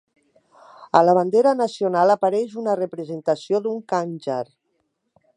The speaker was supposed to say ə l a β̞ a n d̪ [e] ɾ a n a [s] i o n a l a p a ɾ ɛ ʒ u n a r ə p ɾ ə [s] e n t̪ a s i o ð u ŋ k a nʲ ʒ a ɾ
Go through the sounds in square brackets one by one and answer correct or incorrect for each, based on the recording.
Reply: correct, correct, incorrect: z

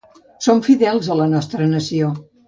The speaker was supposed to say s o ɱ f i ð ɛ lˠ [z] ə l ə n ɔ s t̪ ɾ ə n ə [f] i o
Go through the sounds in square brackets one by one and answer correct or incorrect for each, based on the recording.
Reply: correct, incorrect: s

